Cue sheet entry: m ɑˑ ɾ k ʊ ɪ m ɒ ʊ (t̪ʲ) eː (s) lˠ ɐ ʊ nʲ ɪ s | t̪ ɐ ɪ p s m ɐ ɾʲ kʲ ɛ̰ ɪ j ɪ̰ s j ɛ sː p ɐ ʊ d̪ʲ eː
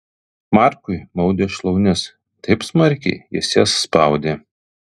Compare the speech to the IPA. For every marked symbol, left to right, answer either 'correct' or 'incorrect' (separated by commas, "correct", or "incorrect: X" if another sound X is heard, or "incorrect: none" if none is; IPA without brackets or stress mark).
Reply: incorrect: d̪ʲ, incorrect: ʃ